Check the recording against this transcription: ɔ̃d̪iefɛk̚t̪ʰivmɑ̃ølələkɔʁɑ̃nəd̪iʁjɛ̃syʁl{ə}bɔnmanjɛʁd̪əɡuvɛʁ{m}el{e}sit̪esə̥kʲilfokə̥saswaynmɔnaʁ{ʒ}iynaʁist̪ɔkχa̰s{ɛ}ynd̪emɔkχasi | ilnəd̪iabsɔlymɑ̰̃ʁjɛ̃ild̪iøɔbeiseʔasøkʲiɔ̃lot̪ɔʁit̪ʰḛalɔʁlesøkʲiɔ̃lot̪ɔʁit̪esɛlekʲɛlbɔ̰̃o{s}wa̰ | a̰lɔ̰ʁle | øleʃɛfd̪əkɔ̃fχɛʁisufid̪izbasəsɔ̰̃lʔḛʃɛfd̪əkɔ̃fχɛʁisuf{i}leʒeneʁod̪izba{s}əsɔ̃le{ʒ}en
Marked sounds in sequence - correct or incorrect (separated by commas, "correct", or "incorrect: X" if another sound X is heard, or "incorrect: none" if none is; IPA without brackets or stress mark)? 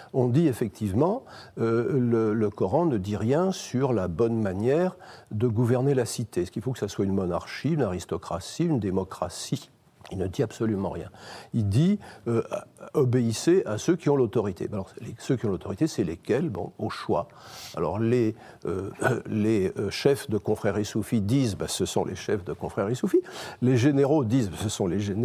incorrect: a, incorrect: n, incorrect: a, incorrect: ʃ, incorrect: i, incorrect: ʃ, correct, correct, correct